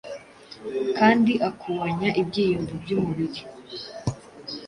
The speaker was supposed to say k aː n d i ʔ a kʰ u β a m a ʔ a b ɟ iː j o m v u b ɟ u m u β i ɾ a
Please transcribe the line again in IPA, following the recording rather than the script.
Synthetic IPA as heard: k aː n d i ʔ a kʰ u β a ɲ a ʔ i b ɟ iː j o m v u b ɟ u m u β i ɾ i